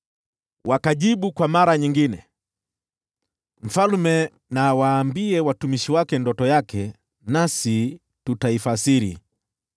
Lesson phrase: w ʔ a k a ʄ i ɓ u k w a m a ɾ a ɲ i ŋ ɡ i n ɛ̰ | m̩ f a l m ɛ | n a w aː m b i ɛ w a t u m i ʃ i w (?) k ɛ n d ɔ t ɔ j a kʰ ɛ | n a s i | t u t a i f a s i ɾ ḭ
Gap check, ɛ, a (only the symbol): a